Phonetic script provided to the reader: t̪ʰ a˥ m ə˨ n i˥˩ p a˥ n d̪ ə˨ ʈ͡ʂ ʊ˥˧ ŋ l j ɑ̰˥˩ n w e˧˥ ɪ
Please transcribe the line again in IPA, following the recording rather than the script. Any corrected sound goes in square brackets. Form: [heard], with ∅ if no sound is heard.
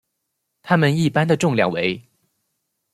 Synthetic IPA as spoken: t̪ʰ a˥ m ə˨ n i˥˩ p a˥ n d̪ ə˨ ʈ͡ʂ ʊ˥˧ ŋ l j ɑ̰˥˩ [ŋ] w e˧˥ ɪ